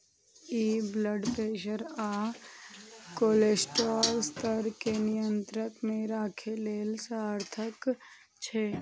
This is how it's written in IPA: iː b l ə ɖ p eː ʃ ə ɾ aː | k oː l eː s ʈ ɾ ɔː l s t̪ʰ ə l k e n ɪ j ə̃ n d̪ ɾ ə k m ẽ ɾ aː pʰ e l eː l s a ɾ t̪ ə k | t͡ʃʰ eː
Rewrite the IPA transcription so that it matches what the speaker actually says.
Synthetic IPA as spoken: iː b l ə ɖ p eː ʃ ə ɾ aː | k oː l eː s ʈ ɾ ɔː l s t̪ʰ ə ɾ k e n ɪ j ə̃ n t̪ ɾ ə k m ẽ ɾ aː kʰ e l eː l s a ɾ t̪ʰ ə k | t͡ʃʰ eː